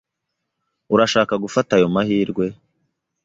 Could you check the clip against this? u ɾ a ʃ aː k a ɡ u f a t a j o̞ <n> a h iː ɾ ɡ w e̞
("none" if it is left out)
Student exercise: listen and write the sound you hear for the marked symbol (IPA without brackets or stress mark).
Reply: m